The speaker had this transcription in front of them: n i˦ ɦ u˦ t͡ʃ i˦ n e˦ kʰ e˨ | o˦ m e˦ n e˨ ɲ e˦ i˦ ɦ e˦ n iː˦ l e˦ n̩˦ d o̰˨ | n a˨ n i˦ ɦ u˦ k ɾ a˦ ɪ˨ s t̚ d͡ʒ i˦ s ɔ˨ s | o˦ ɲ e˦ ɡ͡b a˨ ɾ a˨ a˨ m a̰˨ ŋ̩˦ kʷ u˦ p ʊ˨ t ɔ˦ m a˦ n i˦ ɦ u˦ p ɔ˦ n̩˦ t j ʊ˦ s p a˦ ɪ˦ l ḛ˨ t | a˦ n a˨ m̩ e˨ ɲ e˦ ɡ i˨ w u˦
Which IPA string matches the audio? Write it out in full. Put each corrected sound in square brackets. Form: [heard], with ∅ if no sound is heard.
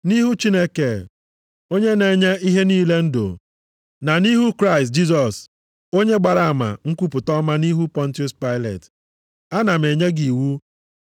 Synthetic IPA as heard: n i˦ ɦ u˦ t͡ʃ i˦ n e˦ [k] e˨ | o˦ [ɲ] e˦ n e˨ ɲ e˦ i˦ ɦ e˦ n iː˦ l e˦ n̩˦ d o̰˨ | n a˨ n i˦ ɦ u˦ k ɾ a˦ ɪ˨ s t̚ d͡ʒ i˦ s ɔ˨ s | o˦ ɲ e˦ ɡ͡b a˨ ɾ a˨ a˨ m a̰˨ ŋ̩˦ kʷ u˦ p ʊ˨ t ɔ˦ m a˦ n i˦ ɦ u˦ p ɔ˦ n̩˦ t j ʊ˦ s p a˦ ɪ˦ l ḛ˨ t | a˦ n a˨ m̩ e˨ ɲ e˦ ɡ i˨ w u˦